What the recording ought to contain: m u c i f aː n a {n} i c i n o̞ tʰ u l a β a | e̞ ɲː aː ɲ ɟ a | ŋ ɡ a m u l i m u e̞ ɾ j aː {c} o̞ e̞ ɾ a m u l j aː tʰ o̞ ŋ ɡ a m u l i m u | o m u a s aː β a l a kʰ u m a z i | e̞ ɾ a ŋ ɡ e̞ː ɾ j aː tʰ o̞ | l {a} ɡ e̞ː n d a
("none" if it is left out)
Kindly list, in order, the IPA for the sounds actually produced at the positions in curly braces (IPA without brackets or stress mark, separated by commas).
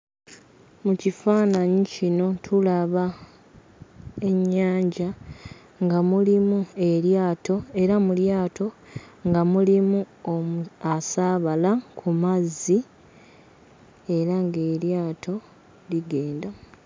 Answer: ɲ, t, i